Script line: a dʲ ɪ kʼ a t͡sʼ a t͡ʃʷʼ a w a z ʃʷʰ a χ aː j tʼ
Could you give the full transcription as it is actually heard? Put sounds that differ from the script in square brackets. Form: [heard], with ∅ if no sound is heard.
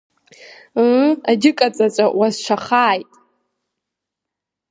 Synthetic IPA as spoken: a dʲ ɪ kʼ a t͡sʼ a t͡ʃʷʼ a w a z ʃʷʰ a χ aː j tʼ